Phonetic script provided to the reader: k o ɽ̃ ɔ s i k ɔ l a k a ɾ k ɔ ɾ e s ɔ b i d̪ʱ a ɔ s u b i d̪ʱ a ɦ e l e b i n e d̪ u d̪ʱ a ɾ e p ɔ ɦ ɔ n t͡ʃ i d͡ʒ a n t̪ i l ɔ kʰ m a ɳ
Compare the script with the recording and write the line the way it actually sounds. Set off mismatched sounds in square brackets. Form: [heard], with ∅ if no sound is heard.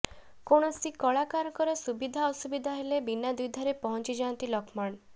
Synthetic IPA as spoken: k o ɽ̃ ɔ s i k ɔ [ɭ] a k a ɾ k ɔ ɾ e s [u] b i d̪ʱ a ɔ s u b i d̪ʱ a ɦ e l e b i n [a] d̪ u d̪ʱ a ɾ e p ɔ ɦ ɔ n t͡ʃ i d͡ʒ a n t̪ i l ɔ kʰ m a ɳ